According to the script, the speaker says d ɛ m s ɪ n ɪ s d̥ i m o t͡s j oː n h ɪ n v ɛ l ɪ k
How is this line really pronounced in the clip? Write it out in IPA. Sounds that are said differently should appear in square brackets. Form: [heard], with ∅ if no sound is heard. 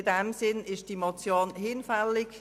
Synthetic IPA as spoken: d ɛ m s ɪ n ɪ [ʃ] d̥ i m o t͡s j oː n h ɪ n [f] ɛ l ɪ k